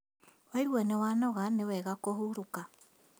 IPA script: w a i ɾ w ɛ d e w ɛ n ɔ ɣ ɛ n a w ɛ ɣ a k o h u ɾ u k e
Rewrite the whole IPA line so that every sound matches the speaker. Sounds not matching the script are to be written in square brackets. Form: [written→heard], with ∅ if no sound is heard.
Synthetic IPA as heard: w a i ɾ w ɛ [d→n] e w [ɛ→a] n ɔ ɣ [ɛ→a] n [a→e] w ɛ ɣ a k o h u ɾ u k [e→a]

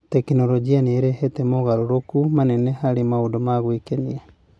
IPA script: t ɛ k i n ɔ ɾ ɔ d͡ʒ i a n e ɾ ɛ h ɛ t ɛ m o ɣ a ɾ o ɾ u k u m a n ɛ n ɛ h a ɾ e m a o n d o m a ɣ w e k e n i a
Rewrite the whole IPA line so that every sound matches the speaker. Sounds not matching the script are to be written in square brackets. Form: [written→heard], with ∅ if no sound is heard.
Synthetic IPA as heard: t ɛ k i n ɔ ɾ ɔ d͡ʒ i a n e ɾ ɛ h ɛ t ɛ m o ɣ a ɾ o ɾ [u→o] k u m a n ɛ n ɛ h a ɾ e m a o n d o m a ɣ w e k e n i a

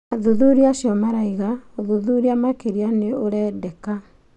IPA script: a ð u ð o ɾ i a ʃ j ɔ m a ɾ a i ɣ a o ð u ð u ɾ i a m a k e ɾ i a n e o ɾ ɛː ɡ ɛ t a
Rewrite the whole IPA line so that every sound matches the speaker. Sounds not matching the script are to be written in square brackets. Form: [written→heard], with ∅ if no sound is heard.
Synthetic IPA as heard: a ð u ð [o→u] ɾ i a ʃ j ɔ m a ɾ a i ɣ a o ð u ð u ɾ i a m a k e ɾ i a n e o ɾ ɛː [ɡ→d] ɛ [t→k] a

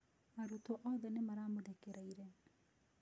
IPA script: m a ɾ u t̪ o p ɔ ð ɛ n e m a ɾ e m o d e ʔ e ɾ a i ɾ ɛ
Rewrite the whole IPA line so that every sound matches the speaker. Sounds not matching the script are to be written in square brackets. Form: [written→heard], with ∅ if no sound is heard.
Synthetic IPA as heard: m a ɾ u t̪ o [p→ʔ] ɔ ð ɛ n e m a ɾ [e→a] m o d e [ʔ→k] e ɾ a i ɾ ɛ

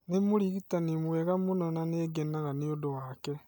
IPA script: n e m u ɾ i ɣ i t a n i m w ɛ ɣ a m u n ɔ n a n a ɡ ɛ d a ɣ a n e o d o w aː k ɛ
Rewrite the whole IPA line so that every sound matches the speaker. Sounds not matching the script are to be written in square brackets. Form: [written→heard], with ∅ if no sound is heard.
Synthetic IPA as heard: n e m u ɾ i ɣ i t a n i m w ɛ ɣ a m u n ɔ n a n [a→e] ɡ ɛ [d→n] a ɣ a n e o d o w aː k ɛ

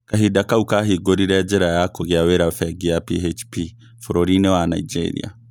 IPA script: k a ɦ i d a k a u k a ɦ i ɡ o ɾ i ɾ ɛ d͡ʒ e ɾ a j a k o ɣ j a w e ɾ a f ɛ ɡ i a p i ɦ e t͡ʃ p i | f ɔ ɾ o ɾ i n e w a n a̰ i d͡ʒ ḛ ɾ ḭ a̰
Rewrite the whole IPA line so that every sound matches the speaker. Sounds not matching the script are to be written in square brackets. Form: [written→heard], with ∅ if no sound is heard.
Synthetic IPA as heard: k a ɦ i d a k a u k a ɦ i ɡ o ɾ i ɾ ɛ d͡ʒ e ɾ a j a k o ɣ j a w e ɾ a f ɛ ɡ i a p i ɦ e t͡ʃ p i | f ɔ ɾ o ɾ i n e w a n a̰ i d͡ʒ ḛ ɾ ḭ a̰

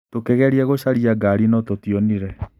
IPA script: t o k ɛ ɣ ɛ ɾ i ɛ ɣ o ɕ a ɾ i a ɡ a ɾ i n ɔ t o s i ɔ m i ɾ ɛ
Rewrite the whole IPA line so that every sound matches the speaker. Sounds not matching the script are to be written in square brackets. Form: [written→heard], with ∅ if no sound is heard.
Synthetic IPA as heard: t o k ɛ ɣ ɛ ɾ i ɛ ɣ o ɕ a ɾ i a ɡ a ɾ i n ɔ t o [s→t] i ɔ [m→n] i ɾ ɛ

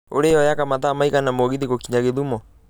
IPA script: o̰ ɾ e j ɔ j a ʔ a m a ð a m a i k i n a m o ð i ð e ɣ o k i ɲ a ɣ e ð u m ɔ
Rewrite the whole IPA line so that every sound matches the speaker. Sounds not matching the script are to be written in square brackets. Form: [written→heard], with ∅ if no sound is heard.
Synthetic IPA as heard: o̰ ɾ e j ɔ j a [ʔ→k] a m a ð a m a i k [i→a] n a m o [ð→ɣ] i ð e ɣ o k i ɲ a ɣ e ð u m ɔ

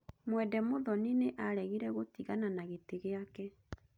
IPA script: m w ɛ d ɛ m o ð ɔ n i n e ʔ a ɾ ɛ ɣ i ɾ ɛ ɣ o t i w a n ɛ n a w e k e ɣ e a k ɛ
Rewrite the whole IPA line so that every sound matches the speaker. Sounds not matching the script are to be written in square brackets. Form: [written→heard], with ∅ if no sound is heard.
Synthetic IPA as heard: m w ɛ d ɛ m o ð ɔ n i n e ʔ a ɾ ɛ ɣ i ɾ ɛ ɣ o t i [w→ɣ] a n [ɛ→a] n a [w→ɣ] e [k→t] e ɣ e a k ɛ

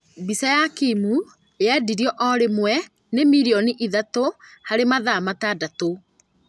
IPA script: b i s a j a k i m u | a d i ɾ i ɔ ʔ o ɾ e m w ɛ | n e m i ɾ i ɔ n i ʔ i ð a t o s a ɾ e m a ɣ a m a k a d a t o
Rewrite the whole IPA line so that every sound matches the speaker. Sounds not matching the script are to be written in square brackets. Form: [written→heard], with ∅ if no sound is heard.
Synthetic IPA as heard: b i s a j a k i m u | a d i ɾ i ɔ ʔ [o→ɔ] ɾ e m w ɛ | n e m i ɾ i ɔ n i ʔ i ð a t o [s→h] a ɾ e m a [ɣ→ð] a m a [k→t] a d a t o

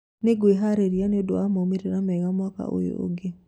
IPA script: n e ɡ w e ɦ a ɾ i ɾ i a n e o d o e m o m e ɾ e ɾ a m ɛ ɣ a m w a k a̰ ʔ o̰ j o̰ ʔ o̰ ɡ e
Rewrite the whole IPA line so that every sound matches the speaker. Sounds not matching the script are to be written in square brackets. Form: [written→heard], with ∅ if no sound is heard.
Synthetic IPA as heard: n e ɡ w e ɦ a ɾ [i→e] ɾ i a n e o d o [e→a] m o m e ɾ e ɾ a m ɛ ɣ a m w a k a̰ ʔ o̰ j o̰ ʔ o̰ ɡ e

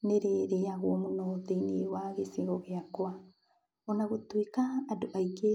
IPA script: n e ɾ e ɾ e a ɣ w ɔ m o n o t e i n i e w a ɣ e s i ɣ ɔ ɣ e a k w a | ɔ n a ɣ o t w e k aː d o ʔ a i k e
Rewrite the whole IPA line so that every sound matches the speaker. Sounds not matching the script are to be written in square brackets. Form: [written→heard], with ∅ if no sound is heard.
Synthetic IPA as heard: n e ɾ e ɾ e a ɣ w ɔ m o n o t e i n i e w a ɣ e s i ɣ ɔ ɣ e a k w a | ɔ n a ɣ o t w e k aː d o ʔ a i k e

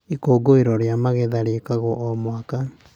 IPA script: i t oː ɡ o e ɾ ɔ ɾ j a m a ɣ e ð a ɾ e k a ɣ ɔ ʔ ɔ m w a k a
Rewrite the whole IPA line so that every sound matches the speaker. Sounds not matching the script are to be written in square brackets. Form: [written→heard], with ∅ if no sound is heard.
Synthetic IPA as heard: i [t→k] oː ɡ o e ɾ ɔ ɾ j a m a ɣ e ð a ɾ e k a ɣ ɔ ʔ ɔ m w a k a

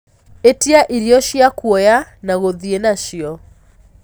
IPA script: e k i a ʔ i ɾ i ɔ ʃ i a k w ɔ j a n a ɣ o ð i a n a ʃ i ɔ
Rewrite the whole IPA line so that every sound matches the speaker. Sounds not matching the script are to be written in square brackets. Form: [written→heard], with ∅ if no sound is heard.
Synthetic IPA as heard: e [k→t] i a ʔ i ɾ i ɔ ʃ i a k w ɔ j a n a ɣ o ð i [a→e] n a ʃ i ɔ

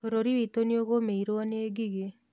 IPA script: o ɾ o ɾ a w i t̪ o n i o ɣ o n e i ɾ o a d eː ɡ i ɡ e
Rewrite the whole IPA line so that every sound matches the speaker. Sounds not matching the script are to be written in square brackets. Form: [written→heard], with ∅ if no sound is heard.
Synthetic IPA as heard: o ɾ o ɾ [a→i] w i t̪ o n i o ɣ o [n→m] e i ɾ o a [d→n] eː ɡ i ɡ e

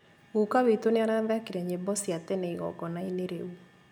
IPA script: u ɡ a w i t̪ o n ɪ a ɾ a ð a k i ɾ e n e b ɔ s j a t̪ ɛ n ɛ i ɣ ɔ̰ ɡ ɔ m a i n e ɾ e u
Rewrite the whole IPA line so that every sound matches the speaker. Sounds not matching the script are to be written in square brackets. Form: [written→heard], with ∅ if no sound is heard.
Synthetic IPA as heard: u [ɡ→k] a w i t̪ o n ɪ a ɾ a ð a k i ɾ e [n→ɲ] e b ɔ s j a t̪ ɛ n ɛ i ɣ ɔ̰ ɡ ɔ [m→n] a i n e ɾ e u

